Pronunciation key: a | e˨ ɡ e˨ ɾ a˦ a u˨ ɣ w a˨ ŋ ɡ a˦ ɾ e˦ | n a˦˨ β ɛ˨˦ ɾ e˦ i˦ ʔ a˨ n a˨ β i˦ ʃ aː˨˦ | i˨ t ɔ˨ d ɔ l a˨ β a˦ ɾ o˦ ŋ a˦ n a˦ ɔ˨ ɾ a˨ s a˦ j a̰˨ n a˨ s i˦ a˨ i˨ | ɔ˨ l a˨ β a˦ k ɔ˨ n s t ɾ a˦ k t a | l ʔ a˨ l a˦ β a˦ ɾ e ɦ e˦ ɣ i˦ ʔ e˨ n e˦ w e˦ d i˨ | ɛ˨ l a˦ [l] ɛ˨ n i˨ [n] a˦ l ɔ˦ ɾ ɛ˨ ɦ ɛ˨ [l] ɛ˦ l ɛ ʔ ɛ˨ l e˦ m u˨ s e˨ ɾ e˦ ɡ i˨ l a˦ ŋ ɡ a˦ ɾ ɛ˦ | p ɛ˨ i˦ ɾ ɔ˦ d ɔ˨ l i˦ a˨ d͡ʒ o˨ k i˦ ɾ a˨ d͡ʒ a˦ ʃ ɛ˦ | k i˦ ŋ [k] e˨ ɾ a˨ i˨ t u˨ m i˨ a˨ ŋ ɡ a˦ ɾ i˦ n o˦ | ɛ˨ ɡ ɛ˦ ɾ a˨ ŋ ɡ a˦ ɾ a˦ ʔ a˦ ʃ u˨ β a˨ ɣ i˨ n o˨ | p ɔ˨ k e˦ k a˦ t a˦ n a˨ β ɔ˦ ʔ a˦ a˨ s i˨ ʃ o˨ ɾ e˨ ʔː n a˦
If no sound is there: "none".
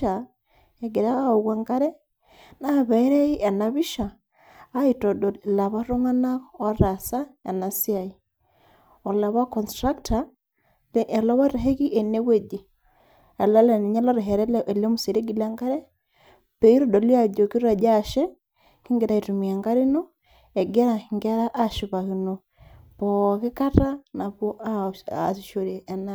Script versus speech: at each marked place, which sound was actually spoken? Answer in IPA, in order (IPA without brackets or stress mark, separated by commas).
l, ɲ, ɾ, ɡ